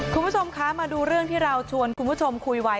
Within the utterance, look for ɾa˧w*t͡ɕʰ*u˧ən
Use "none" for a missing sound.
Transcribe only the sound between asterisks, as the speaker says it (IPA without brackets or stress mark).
t͡ɕʰ